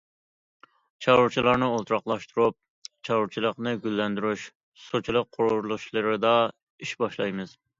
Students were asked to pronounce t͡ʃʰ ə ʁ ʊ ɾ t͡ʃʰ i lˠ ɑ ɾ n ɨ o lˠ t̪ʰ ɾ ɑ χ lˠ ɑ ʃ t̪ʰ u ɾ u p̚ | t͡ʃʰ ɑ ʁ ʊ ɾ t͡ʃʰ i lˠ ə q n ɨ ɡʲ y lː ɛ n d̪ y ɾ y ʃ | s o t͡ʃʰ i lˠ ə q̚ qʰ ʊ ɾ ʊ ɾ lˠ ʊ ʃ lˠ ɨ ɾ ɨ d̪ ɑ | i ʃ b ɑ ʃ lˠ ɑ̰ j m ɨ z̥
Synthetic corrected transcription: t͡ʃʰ ɑ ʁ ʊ ɾ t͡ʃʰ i lˠ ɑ ɾ n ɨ o lˠ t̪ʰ ɾ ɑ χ lˠ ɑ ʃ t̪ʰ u ɾ u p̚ | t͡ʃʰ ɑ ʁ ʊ ɾ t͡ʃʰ i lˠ ə q n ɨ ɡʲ y lː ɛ n d̪ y ɾ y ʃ | s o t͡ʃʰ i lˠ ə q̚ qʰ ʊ ɾ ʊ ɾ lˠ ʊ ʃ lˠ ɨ ɾ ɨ d̪ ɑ | i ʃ b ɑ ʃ lˠ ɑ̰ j m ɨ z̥

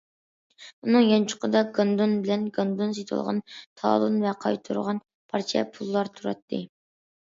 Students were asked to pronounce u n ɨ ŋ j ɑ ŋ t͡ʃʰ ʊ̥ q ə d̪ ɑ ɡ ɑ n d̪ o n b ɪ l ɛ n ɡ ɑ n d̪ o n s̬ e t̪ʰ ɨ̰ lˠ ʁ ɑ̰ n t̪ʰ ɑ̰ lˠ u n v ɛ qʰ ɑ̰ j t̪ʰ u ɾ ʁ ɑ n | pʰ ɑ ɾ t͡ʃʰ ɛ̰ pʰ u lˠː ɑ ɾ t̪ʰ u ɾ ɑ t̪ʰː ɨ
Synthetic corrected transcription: u n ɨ ŋ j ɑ n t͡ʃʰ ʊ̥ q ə d̪ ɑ ɡ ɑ n d̪ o n b ɪ l ɛ n ɡ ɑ n d̪ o n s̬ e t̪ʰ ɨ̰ lˠ ʁ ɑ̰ n t̪ʰ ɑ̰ lˠ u n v ɛ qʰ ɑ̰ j t̪ʰ u ɾ ʁ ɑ n | pʰ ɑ ɾ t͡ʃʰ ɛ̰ pʰ u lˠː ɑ ɾ t̪ʰ u ɾ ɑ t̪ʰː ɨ

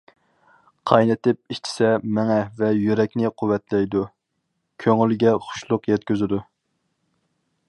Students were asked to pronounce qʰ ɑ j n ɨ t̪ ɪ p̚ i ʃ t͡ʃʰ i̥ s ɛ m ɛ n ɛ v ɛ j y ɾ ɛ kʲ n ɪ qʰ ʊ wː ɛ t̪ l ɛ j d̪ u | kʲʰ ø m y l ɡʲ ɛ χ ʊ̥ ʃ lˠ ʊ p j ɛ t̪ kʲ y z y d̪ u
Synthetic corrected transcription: qʰ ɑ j n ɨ t̪ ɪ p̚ i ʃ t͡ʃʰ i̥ s ɛ m ɛ ŋ ɛ v ɛ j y ɾ ɛ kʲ n ɪ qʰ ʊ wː ɛ t̪ l ɛ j d̪ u | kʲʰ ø ŋ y l ɡʲ ɛ χ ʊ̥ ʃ lˠ ʊ q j ɛ t̪ kʲ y z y d̪ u

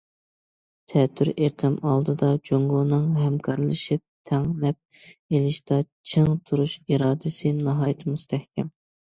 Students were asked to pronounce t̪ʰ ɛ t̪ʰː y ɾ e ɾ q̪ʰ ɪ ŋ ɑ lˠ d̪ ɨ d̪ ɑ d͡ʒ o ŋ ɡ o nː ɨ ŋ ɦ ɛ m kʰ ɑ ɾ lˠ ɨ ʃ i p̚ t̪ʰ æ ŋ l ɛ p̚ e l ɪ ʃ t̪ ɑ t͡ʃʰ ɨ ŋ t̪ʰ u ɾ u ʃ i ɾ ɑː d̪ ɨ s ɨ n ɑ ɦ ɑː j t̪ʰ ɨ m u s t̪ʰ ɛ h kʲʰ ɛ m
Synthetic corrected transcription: t̪ʰ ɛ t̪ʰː y ɾ e ɾ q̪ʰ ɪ m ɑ lˠ d̪ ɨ d̪ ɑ d͡ʒ o ŋ ɡ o n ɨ ŋ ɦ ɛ m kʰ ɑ ɾ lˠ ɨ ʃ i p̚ t̪ʰ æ ŋ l ɛ p̚ e l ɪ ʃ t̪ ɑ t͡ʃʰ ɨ ŋ t̪ʰ u ɾ u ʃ i ɾ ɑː d̪ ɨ s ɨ n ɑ ɦ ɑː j t̪ʰ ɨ m u s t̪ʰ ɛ h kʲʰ ɛ m

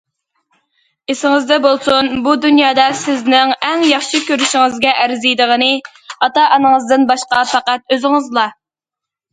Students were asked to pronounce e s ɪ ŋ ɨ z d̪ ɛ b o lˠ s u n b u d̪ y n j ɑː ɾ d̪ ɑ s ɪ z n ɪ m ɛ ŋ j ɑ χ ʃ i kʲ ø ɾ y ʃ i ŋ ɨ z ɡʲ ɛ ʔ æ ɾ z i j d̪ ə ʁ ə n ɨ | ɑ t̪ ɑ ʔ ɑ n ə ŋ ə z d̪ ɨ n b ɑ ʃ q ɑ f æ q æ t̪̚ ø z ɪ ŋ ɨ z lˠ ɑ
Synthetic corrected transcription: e s ɪ ŋ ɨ z d̪ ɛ b o lˠ s u n b u d̪ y n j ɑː d̪ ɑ s ɪ z n ɪ ŋ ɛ ŋ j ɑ χ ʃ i kʲ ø ɾ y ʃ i ŋ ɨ z ɡʲ ɛ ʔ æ ɾ z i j d̪ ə ʁ ə n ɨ | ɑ t̪ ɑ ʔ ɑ n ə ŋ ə z d̪ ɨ n b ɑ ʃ q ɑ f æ q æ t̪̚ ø z ɪ ŋ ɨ z lˠ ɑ

